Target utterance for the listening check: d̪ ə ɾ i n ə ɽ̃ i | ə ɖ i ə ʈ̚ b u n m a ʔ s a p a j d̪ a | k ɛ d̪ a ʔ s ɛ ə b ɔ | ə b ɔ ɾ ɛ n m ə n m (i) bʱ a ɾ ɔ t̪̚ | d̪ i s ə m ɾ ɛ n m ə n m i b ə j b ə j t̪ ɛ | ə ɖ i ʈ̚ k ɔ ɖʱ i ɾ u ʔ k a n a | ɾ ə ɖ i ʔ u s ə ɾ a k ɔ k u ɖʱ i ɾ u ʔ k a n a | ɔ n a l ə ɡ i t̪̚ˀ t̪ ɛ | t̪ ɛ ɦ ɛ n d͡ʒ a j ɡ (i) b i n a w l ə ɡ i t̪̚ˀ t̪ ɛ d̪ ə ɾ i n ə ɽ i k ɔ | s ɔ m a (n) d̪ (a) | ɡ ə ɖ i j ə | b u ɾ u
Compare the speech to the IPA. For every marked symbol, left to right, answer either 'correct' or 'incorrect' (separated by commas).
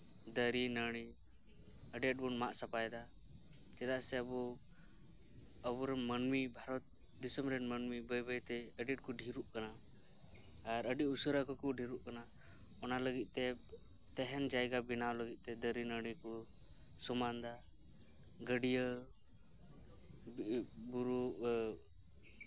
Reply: correct, incorrect, correct, correct